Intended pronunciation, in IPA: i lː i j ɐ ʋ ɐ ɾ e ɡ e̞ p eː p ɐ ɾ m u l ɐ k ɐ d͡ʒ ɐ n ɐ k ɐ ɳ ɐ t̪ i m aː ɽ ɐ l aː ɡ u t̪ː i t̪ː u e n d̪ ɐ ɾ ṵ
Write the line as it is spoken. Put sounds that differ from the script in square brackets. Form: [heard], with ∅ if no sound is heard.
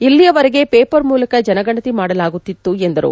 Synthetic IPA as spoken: i lː i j ɐ ʋ ɐ ɾ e ɡ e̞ p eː p ɐ ɾ m [uː] l ɐ k ɐ d͡ʒ ɐ n ɐ [ɡ] ɐ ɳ ɐ t̪ i m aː ɽ ɐ l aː ɡ u t̪ː i t̪ː u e n d̪ ɐ ɾ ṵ